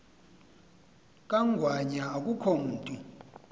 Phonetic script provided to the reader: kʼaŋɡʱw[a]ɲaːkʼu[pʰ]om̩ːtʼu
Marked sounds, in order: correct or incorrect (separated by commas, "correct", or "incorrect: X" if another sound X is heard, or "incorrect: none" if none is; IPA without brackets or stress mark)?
correct, incorrect: kʰ